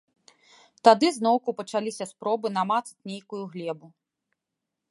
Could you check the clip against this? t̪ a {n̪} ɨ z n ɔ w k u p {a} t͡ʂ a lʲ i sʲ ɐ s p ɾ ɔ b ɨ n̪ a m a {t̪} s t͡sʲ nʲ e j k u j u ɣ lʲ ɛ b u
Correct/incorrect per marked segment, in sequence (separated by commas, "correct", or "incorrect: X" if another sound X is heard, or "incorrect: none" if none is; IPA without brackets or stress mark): incorrect: d̪, incorrect: ɐ, correct